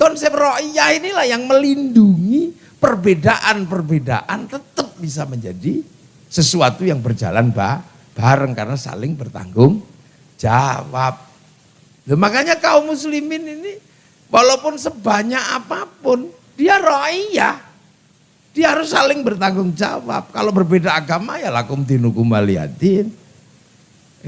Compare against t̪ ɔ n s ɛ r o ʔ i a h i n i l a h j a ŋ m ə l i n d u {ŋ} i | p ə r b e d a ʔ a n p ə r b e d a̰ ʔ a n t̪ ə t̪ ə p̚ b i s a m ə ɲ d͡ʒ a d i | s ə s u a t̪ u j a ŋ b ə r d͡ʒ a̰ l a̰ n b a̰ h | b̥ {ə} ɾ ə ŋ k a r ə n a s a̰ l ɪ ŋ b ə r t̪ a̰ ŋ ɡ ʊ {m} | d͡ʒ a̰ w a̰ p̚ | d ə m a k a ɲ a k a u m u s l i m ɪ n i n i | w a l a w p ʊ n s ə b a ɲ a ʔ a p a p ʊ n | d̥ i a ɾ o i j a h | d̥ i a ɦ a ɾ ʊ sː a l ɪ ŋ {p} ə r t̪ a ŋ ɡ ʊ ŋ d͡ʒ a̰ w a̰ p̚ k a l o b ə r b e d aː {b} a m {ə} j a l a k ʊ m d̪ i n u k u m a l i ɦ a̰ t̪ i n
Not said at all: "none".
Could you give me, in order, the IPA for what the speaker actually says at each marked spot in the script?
ŋ, a, ŋ, b, ɡ, a

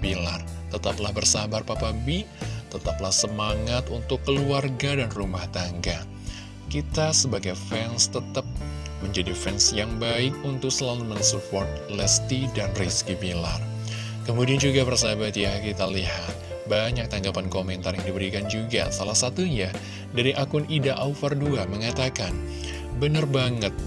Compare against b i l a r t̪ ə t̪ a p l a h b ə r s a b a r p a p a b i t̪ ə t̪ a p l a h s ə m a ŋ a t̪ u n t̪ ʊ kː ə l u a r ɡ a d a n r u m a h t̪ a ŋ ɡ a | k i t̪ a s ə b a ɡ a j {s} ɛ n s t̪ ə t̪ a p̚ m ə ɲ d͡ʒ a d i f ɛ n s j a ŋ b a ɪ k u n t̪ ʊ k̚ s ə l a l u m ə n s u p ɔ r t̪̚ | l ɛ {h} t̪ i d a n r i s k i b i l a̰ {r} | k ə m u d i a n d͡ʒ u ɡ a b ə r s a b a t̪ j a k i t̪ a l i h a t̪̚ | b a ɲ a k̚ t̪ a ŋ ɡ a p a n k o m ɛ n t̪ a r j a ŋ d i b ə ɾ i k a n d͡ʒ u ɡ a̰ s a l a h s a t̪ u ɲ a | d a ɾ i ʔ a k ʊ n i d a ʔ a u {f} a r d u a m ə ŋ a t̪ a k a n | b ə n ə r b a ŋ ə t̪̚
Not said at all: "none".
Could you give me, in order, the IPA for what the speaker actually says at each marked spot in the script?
f, s, r, f

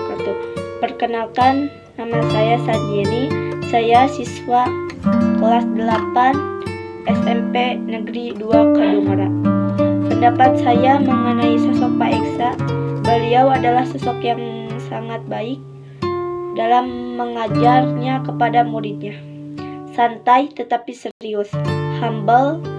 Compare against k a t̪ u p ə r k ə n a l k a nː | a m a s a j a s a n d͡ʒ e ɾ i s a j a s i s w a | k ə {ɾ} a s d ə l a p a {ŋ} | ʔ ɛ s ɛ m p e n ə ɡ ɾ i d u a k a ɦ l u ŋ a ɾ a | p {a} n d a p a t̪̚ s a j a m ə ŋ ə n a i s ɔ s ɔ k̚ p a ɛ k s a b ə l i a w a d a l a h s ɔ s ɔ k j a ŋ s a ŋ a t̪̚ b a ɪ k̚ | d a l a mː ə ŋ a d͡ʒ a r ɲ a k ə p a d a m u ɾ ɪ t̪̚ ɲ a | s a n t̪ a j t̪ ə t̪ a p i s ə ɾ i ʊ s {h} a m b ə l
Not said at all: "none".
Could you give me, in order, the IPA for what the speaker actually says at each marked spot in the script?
l, n, ə, h

